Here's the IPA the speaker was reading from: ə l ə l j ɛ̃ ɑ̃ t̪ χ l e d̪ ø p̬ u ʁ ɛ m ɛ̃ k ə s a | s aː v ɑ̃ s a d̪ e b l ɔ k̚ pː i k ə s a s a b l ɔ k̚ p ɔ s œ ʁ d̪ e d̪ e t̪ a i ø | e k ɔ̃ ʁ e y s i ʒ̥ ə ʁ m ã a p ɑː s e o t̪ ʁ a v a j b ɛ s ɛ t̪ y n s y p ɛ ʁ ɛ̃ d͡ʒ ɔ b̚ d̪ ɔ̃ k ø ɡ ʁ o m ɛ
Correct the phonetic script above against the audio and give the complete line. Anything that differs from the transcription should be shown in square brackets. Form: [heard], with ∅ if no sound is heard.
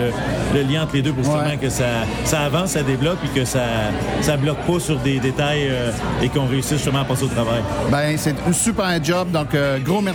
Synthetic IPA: ə l ə l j ɛ̃ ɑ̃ t̪ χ l e d̪ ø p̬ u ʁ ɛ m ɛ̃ k ə s a | s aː v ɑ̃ s a d̪ e b l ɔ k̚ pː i k ə s a s a b l ɔ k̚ p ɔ s [y] ʁ d̪ e d̪ e t̪ a [j] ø | e k ɔ̃ ʁ e y s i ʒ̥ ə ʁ m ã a p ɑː s e o t̪ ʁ a v a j b ɛ s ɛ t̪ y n s y p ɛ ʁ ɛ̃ d͡ʒ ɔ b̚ d̪ ɔ̃ k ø ɡ ʁ o m ɛ